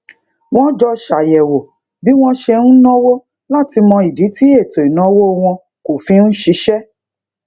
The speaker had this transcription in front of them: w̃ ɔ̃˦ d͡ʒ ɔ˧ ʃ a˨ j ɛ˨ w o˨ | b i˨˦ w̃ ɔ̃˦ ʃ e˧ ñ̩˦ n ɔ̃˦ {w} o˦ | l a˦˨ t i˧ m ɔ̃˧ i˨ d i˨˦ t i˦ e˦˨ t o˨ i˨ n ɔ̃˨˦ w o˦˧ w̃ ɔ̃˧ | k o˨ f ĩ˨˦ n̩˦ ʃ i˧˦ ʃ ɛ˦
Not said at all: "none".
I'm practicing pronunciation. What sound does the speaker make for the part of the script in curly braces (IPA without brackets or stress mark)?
w